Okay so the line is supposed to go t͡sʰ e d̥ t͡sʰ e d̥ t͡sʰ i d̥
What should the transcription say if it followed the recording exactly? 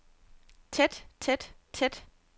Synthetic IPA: t͡sʰ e d̥ t͡sʰ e d̥ t͡sʰ e d̥